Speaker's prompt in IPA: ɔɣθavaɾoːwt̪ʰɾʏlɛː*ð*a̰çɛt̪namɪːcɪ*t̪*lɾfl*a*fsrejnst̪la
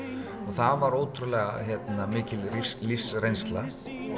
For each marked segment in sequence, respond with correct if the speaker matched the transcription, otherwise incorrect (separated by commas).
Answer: incorrect, incorrect, incorrect